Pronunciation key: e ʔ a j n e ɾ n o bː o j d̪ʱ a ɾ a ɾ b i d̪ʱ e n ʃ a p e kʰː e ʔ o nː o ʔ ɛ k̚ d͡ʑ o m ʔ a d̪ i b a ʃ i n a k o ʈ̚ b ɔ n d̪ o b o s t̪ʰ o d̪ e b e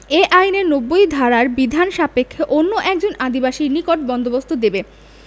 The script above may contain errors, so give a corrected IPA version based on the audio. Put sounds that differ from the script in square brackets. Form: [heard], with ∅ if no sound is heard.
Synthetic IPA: e ʔ a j n e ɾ n o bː o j d̪ʱ a ɾ a ɾ b i d̪ʱ [a] n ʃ a p e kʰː e ʔ o nː o ʔ ɛ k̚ d͡ʑ o [n] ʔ a d̪ i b a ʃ i n [i] k o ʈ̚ b ɔ n d̪ o b o s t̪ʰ o d̪ e b e